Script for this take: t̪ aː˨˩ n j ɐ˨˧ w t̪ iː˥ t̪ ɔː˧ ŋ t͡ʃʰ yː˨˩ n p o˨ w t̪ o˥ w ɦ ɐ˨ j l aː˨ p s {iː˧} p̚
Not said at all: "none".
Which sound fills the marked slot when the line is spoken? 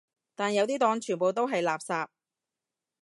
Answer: aː˧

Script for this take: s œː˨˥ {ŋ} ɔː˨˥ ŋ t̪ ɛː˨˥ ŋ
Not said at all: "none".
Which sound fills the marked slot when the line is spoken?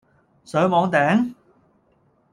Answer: m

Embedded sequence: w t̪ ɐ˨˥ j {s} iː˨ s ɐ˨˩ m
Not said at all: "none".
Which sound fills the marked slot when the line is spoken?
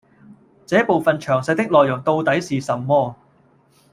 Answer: s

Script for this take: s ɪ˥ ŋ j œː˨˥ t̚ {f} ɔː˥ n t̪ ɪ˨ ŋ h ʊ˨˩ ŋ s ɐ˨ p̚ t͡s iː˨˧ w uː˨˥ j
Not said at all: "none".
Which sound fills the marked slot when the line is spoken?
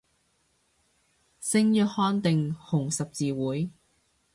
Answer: h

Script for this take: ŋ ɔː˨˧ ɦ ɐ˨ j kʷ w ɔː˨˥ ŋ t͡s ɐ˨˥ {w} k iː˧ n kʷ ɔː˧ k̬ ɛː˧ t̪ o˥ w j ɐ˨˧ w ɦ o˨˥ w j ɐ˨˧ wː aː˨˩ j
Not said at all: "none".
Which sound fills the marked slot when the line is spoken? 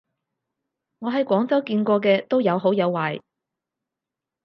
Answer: w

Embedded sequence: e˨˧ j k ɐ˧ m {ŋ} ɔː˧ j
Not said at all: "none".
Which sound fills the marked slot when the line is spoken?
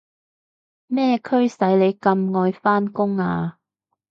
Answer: ŋ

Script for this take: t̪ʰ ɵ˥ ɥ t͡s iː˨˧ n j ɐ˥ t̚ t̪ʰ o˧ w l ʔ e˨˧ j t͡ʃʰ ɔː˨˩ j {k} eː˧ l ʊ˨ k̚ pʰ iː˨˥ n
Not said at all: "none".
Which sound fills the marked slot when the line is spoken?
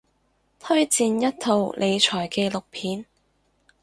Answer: k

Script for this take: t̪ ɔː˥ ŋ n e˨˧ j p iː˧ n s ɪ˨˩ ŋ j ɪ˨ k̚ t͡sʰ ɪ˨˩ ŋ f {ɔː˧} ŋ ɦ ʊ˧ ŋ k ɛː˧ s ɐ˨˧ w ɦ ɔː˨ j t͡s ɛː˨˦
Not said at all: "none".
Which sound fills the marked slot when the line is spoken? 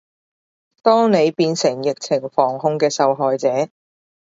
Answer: ɔː˨˩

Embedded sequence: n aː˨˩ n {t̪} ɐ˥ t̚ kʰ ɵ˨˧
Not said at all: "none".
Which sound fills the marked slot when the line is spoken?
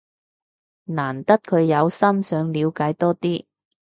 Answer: t̪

